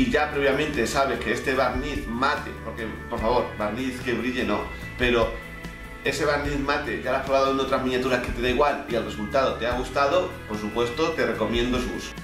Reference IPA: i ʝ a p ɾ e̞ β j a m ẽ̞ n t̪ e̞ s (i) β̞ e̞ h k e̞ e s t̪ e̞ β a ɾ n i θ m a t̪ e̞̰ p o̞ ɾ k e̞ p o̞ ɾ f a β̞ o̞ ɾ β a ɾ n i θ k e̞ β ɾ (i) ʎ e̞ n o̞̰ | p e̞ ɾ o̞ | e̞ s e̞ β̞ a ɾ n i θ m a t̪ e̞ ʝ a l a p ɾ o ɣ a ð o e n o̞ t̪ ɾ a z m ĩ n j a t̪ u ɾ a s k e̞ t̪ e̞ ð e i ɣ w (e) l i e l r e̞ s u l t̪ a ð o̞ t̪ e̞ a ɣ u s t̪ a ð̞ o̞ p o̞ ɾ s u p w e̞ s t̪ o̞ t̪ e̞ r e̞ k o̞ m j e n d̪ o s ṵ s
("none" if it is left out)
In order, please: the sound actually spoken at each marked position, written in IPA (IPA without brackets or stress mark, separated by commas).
a, i, a